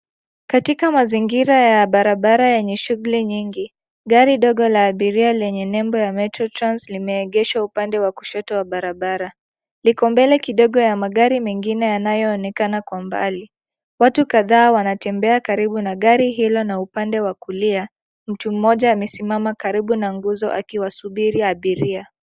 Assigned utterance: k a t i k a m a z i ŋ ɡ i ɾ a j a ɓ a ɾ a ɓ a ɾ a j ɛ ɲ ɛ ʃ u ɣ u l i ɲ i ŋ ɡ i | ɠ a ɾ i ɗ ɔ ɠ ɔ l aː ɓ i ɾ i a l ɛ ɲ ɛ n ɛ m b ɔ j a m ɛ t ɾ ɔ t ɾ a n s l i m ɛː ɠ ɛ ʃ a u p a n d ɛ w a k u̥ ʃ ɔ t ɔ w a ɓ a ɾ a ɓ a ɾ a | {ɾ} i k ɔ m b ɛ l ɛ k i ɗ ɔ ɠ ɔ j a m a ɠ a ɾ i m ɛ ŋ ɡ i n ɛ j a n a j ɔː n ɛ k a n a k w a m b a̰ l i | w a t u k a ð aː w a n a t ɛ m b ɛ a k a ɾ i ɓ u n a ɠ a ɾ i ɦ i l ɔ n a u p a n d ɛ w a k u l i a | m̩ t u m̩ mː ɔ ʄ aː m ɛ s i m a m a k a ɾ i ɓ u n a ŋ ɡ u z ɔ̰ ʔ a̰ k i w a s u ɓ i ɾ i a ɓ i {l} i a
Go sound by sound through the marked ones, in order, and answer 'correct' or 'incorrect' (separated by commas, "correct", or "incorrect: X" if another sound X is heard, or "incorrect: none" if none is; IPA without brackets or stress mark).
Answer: incorrect: l, incorrect: ɾ